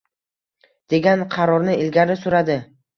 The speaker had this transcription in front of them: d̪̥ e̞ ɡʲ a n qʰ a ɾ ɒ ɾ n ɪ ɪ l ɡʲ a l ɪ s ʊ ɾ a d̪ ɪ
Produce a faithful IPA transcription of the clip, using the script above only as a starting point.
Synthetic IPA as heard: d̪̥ e̞ ɡʲ a n qʰ ɑ ɾ ɒ ɾ n ɪ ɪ l ɡʲ a ɾ ɪ s ʊ ɾ a d̪ ɪ